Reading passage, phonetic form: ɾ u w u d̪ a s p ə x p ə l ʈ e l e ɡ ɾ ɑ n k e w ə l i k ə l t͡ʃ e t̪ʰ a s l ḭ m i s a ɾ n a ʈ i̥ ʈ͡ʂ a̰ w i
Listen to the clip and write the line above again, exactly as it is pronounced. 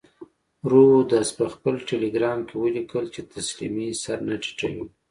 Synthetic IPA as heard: ɾ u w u d̪ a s p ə x p ə l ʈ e l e ɡ ɾ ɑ m k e w ə l i k ə l t͡ʃ e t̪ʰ a s l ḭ m i s a ɾ n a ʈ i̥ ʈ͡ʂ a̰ w i

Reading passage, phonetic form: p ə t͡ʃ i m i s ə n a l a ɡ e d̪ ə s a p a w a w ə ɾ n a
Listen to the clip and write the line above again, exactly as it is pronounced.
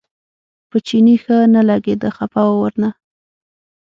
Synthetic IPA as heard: p ə t͡ʃ i n i x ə n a l a ɡ e d̪ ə x a p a w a w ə ɾ n a

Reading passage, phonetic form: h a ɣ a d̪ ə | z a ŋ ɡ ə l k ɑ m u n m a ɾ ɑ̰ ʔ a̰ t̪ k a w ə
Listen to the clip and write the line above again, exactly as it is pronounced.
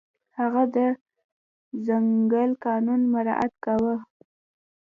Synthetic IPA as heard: h a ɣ a d̪ ə | z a ŋ ɡ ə l k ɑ n u n m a ɾ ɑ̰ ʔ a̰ t̪ k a w ə

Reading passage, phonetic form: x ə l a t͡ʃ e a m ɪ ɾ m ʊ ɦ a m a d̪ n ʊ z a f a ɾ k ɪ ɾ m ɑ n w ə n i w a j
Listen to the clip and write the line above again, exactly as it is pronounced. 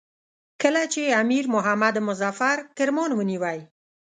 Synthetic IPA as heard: k ə l a t͡ʃ e a m i ɾ m ʊ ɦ a m a d̪ m ʊ z a f a ɾ k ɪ ɾ m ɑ n w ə n i w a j

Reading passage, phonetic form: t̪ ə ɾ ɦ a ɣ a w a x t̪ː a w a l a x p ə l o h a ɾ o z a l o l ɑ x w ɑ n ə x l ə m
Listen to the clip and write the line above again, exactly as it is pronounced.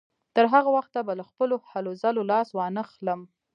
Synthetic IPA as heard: t̪ ə ɾ ɦ a ɣ a w a x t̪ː a b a l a x p ə l o h a l o z a l o l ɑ s w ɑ n ə x l ə m

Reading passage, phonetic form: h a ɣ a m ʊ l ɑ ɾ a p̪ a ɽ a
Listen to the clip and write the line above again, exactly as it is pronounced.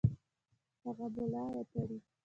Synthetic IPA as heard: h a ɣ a b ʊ l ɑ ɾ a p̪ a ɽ i

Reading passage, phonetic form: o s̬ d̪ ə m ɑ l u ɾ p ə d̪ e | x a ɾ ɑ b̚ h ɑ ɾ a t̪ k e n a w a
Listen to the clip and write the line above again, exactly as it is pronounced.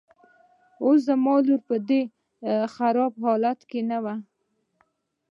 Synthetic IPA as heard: o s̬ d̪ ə m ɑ l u ɾ p ə d̪ e | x a ɾ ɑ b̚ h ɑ l a t̪ k e n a w a

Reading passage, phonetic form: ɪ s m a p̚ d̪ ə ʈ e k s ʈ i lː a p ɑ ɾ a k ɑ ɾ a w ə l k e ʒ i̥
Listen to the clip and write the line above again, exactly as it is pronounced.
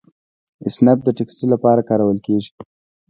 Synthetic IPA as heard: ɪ s n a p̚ d̪ ə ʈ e k s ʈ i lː a p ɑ ɾ a k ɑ ɾ a w ə l k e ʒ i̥

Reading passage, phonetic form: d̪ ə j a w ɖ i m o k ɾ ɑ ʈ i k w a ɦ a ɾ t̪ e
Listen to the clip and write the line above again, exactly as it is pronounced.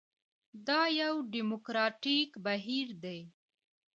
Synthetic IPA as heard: d̪ ɑ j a w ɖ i m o k ɾ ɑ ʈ i k b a ɦ i ɾ d̪ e

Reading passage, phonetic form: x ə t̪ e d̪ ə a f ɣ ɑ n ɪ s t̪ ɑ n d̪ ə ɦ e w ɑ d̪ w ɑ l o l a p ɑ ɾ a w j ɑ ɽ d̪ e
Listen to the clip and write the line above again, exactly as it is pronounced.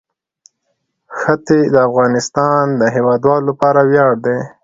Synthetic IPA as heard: x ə t̪ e d̪ ə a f ɣ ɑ n ɪ s t̪ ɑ n d̪ ə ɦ e w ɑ d̪ w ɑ l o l a p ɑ ɾ a w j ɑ ɽ d̪ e

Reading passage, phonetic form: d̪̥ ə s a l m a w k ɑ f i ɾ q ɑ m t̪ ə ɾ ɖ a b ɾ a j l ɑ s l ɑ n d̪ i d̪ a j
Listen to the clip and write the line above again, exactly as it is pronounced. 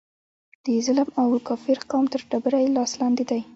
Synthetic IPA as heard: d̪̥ ə z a l m a w k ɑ f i ɾ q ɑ m t̪ ə ɾ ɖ a b ɾ a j l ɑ s l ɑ n d̪ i d̪ a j

